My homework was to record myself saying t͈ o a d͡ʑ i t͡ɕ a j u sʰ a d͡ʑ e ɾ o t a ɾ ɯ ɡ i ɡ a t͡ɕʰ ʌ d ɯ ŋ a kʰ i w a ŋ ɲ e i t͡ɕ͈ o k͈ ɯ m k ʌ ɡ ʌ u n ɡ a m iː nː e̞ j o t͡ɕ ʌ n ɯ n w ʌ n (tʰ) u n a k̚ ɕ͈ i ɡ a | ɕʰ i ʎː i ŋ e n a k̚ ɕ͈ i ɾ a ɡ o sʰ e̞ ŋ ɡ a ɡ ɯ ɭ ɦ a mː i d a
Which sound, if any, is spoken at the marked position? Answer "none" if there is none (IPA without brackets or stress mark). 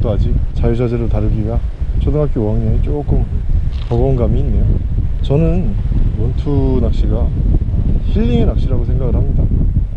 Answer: tʰ